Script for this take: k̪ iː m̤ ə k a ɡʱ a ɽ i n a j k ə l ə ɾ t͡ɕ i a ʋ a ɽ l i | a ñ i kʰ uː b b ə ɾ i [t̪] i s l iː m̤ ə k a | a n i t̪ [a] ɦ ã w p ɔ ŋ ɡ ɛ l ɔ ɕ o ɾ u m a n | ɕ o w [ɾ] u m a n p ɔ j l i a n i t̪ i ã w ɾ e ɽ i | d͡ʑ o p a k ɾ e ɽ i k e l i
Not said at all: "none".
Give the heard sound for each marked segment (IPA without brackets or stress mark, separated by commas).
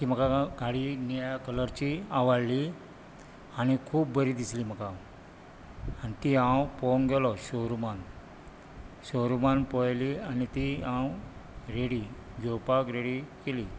d̪, i, ɾ